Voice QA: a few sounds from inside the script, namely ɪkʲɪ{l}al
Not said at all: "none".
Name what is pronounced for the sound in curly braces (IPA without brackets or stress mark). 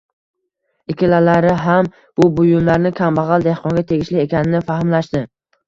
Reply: l